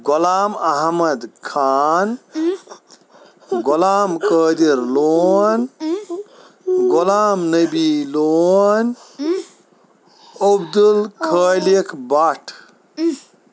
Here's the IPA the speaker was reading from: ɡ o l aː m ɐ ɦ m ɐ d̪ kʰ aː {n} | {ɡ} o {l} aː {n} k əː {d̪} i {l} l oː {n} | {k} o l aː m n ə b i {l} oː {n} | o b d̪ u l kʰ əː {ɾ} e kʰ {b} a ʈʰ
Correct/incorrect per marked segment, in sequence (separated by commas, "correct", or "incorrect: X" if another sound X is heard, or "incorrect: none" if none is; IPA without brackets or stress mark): correct, correct, correct, incorrect: m, correct, incorrect: ɾ, correct, incorrect: ɡ, correct, correct, incorrect: l, correct